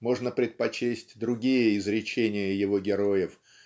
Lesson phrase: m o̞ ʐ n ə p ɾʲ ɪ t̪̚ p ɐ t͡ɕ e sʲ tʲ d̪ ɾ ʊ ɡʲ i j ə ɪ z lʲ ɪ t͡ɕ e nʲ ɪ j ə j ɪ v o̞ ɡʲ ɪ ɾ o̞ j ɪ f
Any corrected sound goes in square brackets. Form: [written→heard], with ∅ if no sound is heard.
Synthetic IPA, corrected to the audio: m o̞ ʐ n ə p ɾʲ ɪ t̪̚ p ɐ t͡ɕ e sʲ tʲ d̪ ɾ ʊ ɡʲ i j ə ɪ z [lʲ→ɾʲ] ɪ t͡ɕ e nʲ ɪ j ə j ɪ v o̞ ɡʲ ɪ ɾ o̞ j ɪ f